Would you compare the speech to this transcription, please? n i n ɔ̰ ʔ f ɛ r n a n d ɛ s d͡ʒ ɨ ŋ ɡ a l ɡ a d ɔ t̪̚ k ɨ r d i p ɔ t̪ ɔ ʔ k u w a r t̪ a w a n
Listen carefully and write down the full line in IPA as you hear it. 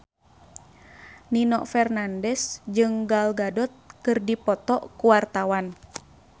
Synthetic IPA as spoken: n i n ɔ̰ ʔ f ɛ r n a n d ɛ s d͡ʒ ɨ ŋ ɡ a l ɡ a d ɔ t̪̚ k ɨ r d i p ɔ t̪ ɔ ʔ k u w a r t̪ a w a n